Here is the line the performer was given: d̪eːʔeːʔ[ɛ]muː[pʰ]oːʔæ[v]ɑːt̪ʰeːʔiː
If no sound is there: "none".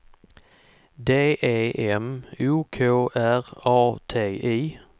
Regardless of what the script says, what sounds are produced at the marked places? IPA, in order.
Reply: ɛ, kʰ, ʁ

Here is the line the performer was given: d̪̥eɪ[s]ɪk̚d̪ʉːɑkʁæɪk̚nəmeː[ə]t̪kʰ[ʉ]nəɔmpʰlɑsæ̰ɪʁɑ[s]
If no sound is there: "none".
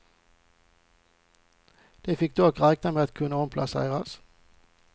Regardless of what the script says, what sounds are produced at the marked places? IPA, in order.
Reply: f, ɑ, ʉ, s

